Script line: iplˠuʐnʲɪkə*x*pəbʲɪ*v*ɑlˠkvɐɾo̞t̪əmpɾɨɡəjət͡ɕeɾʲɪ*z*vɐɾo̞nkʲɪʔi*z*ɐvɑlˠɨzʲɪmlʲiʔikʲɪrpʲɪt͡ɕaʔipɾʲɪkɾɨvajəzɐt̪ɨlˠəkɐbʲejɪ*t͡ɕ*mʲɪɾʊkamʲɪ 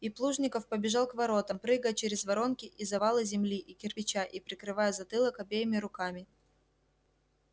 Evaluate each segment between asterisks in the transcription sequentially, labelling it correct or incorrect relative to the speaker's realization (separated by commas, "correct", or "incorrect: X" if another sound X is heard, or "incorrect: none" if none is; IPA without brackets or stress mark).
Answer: incorrect: f, incorrect: ʐ, correct, correct, incorrect: none